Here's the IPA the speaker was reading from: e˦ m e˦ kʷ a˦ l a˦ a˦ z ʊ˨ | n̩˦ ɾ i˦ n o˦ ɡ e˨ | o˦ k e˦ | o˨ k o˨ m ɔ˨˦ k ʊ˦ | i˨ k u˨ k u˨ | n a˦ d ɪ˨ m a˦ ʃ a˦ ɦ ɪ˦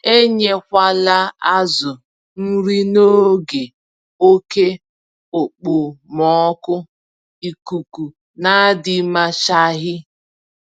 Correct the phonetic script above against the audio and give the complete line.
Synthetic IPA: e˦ ɲ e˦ kʷ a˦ l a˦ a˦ z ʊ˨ | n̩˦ ɾ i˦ n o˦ ɡ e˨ | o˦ k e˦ | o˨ k͡p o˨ m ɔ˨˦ k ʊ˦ | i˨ k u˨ k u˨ | n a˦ d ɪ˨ m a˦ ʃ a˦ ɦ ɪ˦

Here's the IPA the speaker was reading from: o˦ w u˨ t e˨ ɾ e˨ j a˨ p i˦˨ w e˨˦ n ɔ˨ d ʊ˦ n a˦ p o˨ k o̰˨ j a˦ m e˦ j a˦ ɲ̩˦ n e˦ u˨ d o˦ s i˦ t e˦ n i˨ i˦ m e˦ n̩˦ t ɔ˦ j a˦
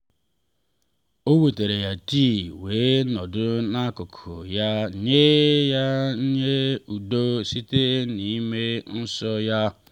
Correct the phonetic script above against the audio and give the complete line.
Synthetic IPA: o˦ w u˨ t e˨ ɾ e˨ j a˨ t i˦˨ w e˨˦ n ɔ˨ d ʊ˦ n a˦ k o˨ kʰ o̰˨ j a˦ ɲ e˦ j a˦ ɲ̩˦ ɲ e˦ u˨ d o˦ s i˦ t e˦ n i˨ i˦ m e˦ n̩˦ s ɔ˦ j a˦

